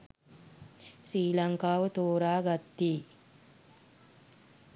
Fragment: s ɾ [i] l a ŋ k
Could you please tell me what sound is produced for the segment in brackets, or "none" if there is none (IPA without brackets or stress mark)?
iː